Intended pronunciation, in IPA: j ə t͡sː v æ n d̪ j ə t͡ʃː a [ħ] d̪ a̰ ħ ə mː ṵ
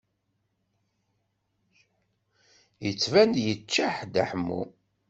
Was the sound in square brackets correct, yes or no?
yes